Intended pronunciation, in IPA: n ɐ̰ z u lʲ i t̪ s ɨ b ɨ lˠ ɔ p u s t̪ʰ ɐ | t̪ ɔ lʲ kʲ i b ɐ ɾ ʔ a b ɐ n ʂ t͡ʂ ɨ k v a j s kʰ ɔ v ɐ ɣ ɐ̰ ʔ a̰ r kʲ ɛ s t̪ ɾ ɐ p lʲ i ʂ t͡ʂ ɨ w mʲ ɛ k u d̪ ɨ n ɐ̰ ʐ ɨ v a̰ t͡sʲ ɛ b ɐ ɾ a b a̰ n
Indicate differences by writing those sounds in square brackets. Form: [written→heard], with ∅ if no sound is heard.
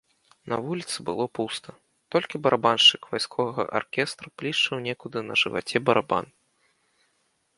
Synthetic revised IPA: n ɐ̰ [z→v] u lʲ i t̪ s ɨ b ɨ lˠ ɔ p u s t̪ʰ ɐ | t̪ ɔ lʲ kʲ i b ɐ ɾ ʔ a b [ɐ→a] n ʂ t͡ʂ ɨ k v a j s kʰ ɔ v ɐ ɣ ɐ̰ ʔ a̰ r kʲ ɛ s t̪ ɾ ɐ p lʲ i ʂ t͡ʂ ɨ w [mʲ→nʲ] ɛ k u d̪ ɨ n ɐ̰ ʐ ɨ v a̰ t͡sʲ ɛ b ɐ ɾ a b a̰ n